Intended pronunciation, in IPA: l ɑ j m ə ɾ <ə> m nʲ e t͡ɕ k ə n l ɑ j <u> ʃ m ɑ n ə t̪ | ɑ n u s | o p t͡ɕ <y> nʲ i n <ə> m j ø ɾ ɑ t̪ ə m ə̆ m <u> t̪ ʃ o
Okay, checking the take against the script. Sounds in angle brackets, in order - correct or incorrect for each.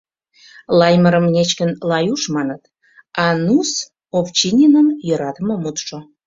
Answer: correct, correct, incorrect: i, correct, correct

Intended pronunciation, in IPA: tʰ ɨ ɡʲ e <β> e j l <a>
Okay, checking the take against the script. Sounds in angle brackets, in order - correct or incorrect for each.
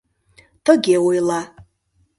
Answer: incorrect: w, correct

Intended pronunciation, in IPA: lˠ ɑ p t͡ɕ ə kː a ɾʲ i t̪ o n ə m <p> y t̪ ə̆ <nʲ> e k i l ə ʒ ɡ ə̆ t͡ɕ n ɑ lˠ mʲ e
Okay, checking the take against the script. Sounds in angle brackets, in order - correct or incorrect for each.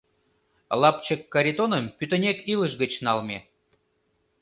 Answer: correct, correct

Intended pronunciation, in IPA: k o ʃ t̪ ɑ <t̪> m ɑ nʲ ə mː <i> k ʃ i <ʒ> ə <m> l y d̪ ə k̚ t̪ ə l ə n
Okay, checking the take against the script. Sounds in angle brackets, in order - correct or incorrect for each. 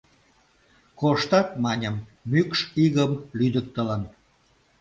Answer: correct, incorrect: y, incorrect: ɣ, correct

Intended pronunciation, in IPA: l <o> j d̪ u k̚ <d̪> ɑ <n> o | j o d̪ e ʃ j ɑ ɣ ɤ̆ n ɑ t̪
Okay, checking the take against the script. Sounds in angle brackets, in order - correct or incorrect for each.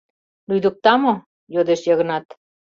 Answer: incorrect: u, incorrect: t̪, incorrect: m

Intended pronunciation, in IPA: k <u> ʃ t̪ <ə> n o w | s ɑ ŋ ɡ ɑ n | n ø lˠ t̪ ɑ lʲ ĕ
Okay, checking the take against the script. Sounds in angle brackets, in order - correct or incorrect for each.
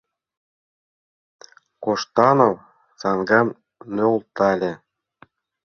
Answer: incorrect: o, incorrect: ɑ

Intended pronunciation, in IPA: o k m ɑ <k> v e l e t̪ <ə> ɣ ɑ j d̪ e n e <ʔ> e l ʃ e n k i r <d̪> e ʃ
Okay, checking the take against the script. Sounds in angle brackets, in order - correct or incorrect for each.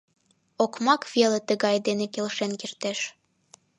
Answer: correct, correct, incorrect: k, incorrect: t̪

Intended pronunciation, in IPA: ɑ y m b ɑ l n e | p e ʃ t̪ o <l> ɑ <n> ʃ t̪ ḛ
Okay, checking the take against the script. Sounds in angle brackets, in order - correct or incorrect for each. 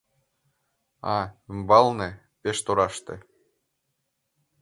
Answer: incorrect: ɾ, incorrect: none

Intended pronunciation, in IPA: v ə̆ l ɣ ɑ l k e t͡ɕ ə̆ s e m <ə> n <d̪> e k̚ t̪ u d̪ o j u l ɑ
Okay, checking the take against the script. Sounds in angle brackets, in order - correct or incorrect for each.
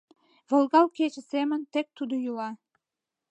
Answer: correct, incorrect: t̪

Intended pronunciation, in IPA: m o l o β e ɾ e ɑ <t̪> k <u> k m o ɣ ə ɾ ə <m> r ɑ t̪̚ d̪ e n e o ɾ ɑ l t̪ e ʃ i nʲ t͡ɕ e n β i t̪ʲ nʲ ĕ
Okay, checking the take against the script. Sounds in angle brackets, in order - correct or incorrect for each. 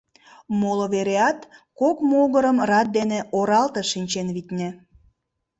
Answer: correct, incorrect: o, correct

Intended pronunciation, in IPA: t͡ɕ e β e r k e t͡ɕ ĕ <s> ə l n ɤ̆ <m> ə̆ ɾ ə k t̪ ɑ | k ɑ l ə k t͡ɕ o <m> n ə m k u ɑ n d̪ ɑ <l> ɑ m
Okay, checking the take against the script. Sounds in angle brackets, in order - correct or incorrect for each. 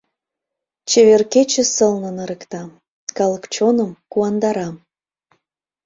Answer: correct, incorrect: n, incorrect: none, incorrect: ɾ

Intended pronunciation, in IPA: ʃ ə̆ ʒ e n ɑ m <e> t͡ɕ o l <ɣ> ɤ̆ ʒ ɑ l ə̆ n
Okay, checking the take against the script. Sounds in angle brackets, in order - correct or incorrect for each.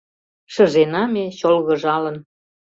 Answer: correct, correct

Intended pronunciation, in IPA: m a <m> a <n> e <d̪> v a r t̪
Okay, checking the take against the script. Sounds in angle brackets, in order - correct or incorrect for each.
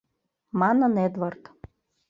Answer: incorrect: n, correct, correct

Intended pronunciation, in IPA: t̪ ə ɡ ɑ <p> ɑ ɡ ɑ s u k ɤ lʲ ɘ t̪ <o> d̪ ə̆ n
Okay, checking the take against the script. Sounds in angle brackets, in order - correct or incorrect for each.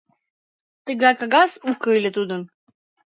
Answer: incorrect: k, incorrect: u

